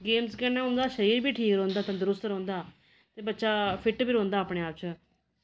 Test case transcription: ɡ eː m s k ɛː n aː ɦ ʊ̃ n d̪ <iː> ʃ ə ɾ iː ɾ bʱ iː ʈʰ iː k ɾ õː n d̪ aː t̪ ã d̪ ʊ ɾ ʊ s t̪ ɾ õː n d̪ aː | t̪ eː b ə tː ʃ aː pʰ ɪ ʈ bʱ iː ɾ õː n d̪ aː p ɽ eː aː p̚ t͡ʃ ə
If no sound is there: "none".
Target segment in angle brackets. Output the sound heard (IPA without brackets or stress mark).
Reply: aː